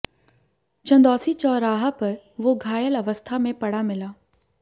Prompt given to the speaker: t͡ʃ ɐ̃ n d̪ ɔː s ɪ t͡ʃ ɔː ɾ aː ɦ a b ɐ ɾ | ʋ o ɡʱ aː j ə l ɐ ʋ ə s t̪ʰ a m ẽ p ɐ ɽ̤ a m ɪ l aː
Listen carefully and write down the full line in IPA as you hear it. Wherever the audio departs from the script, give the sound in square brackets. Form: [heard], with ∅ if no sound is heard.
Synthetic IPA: t͡ʃ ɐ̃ n d̪ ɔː s [i] t͡ʃ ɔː ɾ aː ɦ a [p] ɐ ɾ | ʋ o ɡʱ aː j ə l ɐ ʋ ə s t̪ʰ a m ẽ p ɐ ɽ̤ a m ɪ l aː